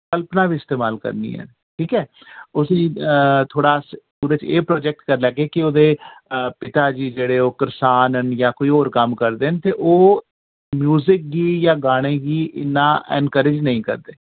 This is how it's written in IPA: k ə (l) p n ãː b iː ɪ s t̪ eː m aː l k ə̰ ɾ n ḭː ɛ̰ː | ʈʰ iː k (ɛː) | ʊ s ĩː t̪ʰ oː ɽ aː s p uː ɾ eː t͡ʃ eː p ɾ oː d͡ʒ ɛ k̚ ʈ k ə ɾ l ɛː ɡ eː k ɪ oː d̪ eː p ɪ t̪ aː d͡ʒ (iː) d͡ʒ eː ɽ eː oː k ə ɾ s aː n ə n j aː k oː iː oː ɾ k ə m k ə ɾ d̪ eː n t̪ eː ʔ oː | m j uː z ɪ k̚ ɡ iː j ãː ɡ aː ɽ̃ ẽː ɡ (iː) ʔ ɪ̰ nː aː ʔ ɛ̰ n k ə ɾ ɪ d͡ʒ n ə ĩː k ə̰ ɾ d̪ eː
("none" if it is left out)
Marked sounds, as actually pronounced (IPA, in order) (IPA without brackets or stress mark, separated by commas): l, ɛː, iː, iː